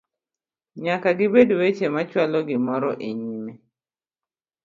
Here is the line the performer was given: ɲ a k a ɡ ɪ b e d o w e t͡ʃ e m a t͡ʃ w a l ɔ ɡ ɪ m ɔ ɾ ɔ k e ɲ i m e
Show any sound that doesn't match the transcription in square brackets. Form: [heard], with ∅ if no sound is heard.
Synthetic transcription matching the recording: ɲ a k a ɡ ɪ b e d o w e t͡ʃ e m a t͡ʃ w a l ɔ ɡ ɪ m ɔ ɾ ɔ [ʔ] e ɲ i m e